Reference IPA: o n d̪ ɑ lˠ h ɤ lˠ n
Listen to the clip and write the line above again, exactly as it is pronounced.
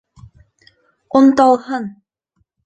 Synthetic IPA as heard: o n t̪ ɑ lˠ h ɤ n